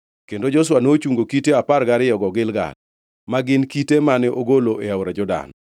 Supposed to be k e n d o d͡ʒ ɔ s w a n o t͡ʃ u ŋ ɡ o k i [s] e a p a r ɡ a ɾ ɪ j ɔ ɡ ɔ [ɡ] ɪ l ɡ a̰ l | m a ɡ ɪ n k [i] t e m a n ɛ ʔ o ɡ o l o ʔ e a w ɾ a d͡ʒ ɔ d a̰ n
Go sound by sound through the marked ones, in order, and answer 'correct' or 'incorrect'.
incorrect, correct, correct

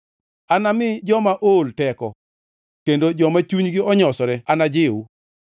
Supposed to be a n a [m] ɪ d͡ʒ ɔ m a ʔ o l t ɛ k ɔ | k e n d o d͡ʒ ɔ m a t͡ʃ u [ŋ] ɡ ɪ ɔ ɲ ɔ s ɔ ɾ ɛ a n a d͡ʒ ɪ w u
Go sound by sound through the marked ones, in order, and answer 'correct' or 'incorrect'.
correct, incorrect

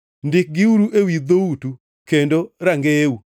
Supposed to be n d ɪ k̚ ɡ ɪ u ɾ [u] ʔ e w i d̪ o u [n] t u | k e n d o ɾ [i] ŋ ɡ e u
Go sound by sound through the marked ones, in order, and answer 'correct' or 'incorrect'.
correct, incorrect, incorrect

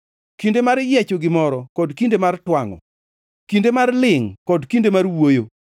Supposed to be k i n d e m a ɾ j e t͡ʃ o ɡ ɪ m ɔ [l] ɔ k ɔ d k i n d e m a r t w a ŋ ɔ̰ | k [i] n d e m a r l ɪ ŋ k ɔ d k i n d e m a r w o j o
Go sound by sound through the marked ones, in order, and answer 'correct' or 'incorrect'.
incorrect, correct

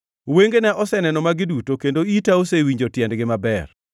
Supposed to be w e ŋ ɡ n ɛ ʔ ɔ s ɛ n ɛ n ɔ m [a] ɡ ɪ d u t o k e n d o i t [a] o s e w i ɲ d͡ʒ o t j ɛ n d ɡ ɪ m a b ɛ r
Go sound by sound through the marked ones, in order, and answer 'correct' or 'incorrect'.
correct, correct

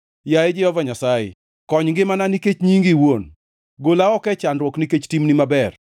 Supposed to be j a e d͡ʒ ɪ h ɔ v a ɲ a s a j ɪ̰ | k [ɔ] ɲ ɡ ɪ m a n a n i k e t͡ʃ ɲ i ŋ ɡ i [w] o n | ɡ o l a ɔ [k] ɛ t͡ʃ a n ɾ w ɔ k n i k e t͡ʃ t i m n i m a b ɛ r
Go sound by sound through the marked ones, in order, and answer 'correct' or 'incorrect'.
correct, correct, correct

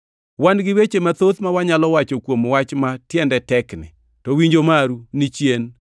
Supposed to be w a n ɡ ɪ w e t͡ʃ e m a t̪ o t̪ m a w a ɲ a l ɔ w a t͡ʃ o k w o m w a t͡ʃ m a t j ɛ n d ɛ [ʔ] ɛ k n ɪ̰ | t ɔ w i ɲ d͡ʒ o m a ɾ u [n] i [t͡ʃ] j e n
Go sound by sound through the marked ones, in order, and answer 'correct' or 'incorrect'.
incorrect, correct, correct

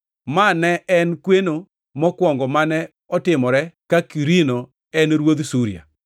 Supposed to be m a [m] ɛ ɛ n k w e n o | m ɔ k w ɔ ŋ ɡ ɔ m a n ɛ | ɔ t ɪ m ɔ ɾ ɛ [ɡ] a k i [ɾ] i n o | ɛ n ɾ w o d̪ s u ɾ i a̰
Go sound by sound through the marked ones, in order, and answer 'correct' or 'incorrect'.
incorrect, incorrect, correct

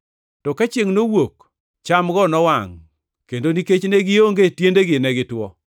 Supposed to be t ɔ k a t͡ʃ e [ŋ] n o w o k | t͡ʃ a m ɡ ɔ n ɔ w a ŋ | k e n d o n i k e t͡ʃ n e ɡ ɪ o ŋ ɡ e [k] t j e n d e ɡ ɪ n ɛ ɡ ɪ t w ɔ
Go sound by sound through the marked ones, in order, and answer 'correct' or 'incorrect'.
correct, incorrect

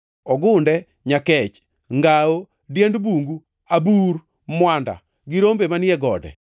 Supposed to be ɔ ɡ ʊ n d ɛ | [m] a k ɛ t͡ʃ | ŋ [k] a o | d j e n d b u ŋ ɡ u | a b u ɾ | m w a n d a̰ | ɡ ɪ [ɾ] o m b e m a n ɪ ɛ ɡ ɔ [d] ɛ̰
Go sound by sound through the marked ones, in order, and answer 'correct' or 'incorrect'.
incorrect, incorrect, correct, correct

